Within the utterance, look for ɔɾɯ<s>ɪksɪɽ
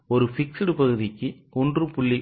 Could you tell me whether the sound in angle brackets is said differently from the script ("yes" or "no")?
yes